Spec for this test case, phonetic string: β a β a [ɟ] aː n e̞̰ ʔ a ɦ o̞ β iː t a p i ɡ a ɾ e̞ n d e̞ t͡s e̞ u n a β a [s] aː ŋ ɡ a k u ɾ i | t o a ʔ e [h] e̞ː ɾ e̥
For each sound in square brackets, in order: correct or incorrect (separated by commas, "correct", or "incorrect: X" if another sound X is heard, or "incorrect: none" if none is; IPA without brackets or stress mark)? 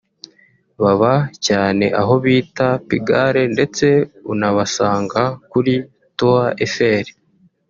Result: incorrect: c, correct, incorrect: f